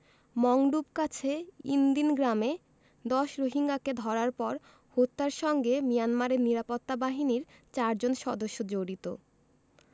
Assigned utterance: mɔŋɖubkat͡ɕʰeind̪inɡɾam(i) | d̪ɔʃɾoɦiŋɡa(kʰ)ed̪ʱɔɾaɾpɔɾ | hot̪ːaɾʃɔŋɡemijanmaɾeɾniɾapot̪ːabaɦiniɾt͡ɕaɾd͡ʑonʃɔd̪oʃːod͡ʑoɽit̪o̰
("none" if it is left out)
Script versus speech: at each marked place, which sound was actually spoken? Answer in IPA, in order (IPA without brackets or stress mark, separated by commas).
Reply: e, k